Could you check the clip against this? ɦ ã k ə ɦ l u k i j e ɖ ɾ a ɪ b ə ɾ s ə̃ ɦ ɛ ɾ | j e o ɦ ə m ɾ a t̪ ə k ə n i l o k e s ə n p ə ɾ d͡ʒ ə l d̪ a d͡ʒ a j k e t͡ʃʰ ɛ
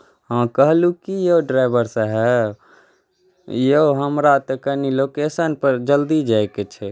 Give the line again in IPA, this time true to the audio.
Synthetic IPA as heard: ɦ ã k ə ɦ l u k i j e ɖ ɾ a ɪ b ə ɾ s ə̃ ɦ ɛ | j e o ɦ ə m ɾ a t̪ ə k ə n i l o k e s ə n p ə ɾ d͡ʒ ə l d̪ i d͡ʒ a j k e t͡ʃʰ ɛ